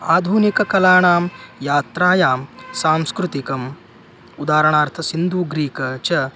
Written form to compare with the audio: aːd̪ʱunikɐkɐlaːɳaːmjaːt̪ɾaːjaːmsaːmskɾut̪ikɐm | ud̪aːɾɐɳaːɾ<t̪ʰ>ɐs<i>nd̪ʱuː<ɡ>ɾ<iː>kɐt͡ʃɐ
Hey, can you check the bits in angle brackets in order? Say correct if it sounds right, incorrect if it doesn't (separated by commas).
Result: correct, correct, correct, correct